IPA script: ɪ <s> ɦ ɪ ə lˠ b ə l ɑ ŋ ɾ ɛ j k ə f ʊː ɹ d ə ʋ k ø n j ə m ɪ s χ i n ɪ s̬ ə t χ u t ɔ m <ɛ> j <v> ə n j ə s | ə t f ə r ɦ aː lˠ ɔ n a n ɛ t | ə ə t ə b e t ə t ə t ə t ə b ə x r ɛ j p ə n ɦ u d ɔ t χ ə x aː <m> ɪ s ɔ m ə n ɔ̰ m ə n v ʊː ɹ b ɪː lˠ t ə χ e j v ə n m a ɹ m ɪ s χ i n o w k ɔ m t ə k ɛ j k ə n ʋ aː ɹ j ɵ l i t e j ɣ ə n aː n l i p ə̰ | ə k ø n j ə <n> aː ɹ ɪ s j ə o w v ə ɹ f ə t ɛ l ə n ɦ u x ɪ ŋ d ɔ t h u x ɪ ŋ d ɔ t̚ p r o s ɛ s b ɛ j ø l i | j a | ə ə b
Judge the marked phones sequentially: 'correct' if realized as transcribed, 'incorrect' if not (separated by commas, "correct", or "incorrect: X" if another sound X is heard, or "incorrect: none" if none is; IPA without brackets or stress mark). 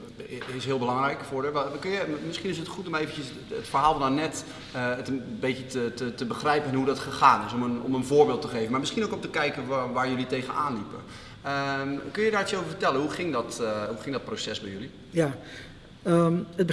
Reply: correct, incorrect: e, correct, incorrect: n, incorrect: d